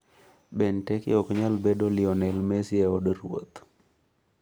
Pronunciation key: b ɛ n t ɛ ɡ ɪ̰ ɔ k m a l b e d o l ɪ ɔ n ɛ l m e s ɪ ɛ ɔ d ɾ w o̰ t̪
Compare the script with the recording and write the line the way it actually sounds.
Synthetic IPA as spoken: b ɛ n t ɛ k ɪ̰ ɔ k ɲ a l b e d o l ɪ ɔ n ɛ l m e s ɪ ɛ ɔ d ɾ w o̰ t̪